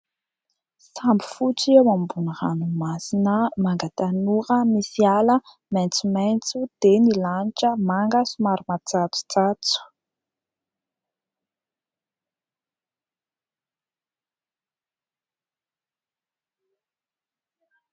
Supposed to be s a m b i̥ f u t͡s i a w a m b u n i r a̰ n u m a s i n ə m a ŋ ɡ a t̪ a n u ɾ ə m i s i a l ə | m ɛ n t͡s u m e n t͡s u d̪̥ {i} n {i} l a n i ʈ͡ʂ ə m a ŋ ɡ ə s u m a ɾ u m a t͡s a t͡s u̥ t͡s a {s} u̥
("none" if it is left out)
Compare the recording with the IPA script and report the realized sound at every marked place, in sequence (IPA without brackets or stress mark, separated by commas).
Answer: e, i, t͡s